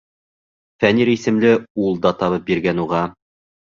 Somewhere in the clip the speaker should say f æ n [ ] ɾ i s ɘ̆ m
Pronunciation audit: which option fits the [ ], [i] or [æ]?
i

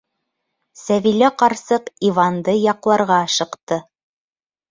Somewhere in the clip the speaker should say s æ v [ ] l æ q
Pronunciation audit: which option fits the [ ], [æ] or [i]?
i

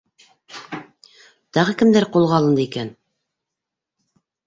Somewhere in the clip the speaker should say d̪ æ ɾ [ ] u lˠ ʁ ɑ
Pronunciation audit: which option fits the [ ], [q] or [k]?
q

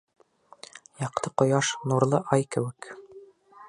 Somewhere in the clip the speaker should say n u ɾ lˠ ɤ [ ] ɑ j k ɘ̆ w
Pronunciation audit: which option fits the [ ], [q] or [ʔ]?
ʔ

